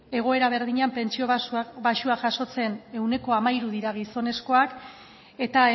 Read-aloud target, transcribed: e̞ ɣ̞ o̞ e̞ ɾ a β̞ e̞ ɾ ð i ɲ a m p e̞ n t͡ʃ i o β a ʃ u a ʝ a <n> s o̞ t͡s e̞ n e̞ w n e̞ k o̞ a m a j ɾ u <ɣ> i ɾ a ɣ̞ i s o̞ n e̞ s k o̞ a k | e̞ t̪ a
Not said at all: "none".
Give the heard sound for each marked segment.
none, ð

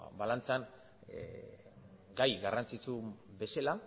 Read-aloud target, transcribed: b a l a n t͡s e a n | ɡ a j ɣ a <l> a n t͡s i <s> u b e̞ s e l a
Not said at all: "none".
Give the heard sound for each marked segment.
r, t͡s

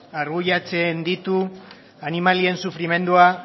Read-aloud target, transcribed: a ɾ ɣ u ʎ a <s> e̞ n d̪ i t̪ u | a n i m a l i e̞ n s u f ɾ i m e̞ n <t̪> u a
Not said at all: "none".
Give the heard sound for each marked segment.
t͡s, d̪

